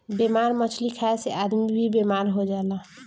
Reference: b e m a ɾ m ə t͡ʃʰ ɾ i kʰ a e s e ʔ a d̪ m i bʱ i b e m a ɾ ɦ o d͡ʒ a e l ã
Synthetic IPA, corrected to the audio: b e m a ɾ m ə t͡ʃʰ l i kʰ a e s e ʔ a d̪ m i bʱ i b e m a ɾ ɦ o d͡ʒ a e l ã

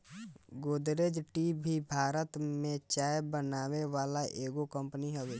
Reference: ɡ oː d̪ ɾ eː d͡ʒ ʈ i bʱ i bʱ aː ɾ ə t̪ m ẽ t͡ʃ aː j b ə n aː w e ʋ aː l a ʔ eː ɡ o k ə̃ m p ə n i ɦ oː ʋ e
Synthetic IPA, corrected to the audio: ɡ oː d̪ ɾ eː d͡ʒ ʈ i bʱ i bʱ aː ɾ ə t̪ m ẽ t͡ʃ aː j b ə n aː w e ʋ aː l a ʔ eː ɡ o k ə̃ m p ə n i ɦ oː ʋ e

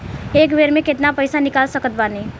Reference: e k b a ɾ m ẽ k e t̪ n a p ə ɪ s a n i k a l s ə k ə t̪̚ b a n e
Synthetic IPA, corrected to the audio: e k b e ɾ m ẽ k e t̪ n a p ə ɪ s a n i k a l s ə k ə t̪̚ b a n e

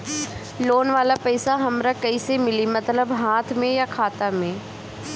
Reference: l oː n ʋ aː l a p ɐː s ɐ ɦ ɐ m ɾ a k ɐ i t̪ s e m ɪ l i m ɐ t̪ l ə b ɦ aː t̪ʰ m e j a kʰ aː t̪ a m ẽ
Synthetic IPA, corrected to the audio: l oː n ʋ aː l a p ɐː s a ɦ ɐ m ɾ a k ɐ i s e m ɪ l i m ɐ t̪ l ə b ɦ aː t̪ʰ m ẽ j a kʰ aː t̪ a m ẽ

